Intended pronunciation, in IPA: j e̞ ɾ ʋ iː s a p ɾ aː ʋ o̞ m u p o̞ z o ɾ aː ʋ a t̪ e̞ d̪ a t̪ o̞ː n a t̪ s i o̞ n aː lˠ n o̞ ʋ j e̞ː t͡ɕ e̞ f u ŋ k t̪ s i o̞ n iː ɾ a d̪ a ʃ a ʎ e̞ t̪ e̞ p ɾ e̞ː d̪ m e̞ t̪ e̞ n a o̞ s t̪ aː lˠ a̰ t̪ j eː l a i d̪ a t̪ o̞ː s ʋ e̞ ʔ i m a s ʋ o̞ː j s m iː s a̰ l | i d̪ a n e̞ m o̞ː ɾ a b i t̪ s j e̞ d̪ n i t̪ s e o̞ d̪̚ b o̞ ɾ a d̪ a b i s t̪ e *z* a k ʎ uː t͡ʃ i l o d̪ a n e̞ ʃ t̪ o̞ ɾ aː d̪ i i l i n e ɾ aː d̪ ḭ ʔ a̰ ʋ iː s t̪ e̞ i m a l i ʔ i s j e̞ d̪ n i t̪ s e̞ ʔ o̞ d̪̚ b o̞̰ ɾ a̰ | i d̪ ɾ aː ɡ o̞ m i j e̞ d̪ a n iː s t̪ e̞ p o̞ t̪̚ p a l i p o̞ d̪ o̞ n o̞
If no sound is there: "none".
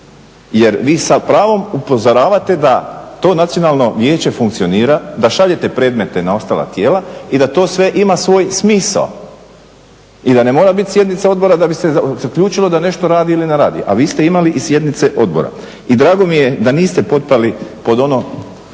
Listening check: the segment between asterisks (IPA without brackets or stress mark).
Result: z